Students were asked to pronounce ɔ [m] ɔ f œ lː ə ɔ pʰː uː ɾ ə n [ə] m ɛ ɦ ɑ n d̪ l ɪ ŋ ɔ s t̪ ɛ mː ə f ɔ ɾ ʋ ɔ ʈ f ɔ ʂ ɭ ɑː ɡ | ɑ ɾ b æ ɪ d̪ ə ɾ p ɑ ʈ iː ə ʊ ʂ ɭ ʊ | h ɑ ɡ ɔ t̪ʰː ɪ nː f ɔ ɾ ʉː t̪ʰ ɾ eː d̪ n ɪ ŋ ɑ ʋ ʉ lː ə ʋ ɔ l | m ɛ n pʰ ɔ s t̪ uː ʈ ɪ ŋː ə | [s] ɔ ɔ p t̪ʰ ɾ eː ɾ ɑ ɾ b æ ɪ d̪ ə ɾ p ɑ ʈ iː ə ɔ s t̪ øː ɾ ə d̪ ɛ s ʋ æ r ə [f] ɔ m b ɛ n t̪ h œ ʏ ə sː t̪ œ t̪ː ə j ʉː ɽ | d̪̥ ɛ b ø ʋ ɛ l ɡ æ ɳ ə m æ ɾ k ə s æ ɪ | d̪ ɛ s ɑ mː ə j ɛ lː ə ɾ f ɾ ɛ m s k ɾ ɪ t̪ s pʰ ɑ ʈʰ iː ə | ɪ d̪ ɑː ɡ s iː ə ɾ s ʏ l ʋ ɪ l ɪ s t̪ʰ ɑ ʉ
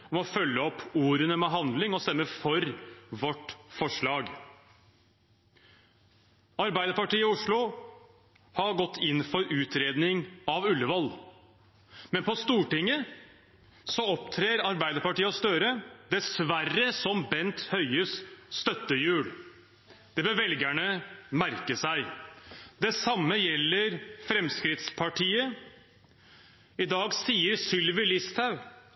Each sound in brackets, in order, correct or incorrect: correct, correct, correct, incorrect: s

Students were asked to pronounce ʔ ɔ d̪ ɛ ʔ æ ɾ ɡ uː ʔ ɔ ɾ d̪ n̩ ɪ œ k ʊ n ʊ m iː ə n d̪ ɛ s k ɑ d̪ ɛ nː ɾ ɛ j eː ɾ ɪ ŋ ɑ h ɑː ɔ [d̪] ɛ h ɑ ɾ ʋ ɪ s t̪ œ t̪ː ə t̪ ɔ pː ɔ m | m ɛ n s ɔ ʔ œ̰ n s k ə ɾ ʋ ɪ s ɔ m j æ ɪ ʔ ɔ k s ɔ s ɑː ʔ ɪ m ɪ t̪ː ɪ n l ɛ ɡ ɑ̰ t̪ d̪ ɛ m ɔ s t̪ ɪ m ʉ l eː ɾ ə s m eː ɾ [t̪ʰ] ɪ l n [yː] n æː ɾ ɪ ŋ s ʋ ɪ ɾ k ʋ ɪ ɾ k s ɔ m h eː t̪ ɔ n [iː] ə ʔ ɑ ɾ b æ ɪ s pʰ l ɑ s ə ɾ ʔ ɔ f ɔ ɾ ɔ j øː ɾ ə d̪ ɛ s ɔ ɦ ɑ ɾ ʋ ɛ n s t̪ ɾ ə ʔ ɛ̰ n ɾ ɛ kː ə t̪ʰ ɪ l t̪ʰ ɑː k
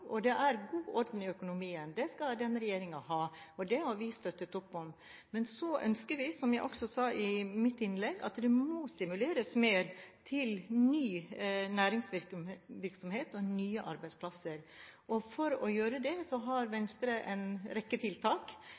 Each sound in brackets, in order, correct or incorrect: correct, correct, correct, incorrect: yː

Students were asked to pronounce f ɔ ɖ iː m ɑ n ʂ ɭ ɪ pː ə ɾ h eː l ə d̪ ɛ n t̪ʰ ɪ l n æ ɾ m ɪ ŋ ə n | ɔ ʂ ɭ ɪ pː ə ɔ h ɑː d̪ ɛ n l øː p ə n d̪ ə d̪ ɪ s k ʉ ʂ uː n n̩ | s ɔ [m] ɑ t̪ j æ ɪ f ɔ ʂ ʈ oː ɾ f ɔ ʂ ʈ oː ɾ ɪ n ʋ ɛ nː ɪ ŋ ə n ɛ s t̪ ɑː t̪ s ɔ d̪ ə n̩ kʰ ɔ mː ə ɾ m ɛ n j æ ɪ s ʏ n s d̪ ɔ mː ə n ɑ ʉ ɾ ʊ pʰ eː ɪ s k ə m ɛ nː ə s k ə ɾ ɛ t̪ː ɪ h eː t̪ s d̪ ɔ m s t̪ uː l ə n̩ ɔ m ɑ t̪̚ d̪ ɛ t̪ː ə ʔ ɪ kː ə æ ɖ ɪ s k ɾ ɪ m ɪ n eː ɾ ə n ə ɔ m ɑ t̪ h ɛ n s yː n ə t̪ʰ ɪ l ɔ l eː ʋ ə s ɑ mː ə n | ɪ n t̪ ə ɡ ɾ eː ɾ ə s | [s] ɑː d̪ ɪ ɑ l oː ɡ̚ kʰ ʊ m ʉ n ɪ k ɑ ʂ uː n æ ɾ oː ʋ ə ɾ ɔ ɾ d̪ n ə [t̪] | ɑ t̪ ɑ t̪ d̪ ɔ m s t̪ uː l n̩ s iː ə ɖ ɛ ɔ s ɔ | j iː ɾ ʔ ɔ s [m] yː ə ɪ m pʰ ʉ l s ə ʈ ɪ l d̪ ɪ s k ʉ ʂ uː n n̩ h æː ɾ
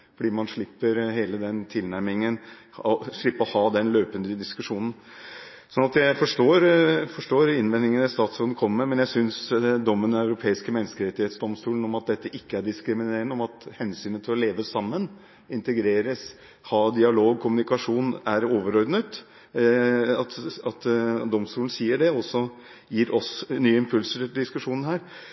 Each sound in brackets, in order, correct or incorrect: incorrect: n, incorrect: h, correct, incorrect: n

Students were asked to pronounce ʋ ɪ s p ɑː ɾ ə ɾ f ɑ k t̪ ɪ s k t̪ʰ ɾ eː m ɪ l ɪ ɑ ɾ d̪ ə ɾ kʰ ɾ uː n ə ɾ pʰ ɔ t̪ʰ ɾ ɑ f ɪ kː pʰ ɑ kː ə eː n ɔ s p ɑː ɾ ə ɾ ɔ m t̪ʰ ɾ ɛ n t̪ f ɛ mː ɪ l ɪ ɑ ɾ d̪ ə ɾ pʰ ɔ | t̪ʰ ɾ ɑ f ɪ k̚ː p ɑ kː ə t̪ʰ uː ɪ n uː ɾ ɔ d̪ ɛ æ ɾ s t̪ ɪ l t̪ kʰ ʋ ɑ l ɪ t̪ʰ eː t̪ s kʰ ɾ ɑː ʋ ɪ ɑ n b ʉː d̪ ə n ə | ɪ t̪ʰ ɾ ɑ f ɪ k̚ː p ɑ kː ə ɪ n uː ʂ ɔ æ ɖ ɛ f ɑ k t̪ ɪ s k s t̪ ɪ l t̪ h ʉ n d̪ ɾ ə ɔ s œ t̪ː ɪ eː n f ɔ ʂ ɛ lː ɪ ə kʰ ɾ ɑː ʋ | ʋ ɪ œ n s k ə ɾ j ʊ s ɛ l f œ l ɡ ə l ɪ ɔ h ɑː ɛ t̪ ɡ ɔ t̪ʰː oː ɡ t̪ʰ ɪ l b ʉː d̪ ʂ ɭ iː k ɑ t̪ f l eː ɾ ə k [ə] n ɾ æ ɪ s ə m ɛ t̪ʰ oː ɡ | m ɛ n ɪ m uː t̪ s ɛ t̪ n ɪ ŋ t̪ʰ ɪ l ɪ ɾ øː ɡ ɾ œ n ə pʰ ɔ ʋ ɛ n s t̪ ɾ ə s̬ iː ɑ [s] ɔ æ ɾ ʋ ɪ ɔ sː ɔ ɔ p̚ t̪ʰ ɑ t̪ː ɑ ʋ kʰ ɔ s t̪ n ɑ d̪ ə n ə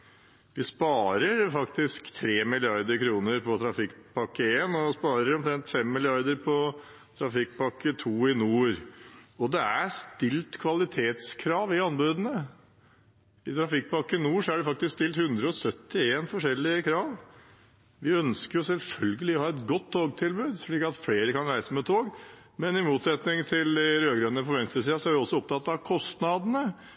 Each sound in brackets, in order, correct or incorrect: incorrect: ɑ, correct

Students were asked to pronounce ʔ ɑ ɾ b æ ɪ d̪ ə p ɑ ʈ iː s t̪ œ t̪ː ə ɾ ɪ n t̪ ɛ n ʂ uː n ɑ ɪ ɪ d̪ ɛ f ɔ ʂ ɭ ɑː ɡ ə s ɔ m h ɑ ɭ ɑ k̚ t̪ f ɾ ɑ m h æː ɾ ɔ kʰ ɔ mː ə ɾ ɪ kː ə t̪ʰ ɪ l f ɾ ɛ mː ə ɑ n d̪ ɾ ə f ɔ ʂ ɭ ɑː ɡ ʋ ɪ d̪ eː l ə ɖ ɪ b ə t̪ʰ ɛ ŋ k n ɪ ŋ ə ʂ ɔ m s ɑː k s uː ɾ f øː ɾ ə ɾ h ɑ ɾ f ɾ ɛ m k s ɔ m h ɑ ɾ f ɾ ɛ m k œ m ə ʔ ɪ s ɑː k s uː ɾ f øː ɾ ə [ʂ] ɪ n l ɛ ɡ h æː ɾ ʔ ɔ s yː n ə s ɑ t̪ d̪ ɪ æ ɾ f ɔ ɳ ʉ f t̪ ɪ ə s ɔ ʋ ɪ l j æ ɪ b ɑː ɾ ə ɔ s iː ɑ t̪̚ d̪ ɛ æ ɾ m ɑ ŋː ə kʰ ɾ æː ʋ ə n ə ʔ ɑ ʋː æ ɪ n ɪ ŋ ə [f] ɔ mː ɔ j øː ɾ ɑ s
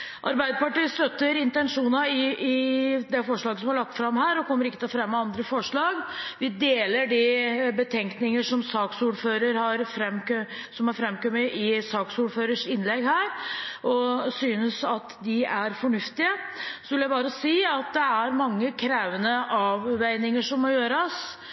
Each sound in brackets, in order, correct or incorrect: correct, incorrect: ʂ

